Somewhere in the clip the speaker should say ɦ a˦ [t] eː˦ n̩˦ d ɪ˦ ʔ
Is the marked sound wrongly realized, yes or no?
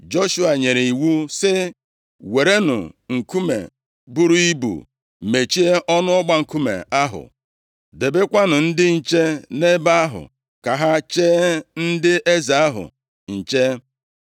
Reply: yes